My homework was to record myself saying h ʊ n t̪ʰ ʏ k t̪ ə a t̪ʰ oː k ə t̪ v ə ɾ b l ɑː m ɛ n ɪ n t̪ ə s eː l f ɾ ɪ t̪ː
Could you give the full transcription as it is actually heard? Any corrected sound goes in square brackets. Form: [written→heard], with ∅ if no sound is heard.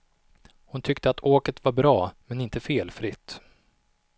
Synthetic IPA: h ʊ n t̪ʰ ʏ k t̪ ə a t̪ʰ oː k ə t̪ v [ə→a] ɾ b [l→ɾ] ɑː m ɛ n ɪ n t̪ ə [s→f] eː l f ɾ ɪ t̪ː